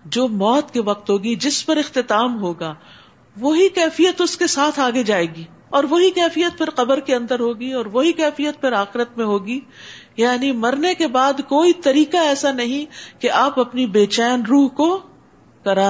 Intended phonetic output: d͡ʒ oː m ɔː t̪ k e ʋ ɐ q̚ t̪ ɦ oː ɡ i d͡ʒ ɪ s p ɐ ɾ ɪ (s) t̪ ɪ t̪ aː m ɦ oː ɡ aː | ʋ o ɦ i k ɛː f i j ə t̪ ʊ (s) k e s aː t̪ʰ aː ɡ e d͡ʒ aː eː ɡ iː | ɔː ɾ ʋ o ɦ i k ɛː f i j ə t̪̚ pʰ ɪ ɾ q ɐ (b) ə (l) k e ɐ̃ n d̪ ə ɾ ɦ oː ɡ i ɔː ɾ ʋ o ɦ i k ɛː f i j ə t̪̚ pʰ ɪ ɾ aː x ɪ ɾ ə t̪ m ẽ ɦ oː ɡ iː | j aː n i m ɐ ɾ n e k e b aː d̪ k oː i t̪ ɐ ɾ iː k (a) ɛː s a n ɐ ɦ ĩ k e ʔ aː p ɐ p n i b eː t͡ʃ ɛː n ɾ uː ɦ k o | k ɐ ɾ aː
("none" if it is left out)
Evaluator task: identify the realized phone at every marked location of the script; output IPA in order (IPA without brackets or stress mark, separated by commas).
x, s, b, ɾ, a